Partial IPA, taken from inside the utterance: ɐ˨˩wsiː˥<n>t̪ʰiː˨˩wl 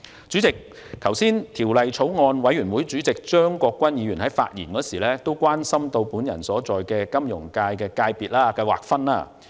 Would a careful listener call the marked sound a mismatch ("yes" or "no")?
no